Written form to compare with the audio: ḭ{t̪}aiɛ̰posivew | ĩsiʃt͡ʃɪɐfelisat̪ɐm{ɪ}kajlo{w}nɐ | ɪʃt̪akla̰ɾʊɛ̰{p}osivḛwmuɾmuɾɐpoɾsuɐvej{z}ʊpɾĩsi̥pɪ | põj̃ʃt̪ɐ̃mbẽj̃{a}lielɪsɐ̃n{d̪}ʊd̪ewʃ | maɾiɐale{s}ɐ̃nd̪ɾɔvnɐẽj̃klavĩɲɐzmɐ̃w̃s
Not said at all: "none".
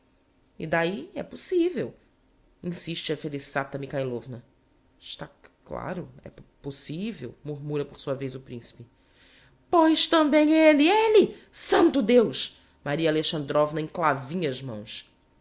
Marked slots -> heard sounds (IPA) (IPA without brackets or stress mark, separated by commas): d̪, i, v, p, z, e, t̪, ʃ